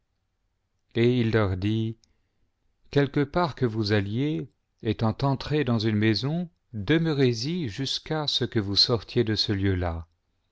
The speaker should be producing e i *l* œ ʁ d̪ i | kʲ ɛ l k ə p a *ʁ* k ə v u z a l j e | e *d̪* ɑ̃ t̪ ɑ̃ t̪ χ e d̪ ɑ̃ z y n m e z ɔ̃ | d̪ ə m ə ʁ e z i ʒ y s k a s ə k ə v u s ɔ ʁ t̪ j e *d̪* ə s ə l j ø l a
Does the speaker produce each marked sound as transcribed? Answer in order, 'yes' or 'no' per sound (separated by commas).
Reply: no, yes, no, yes